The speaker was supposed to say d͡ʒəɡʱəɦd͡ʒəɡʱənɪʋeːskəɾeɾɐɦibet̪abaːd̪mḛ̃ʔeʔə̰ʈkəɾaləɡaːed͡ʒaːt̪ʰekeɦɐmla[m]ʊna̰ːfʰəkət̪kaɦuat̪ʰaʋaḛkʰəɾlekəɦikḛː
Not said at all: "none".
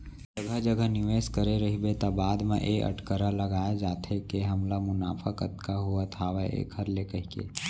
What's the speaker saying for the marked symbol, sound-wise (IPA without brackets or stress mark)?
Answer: m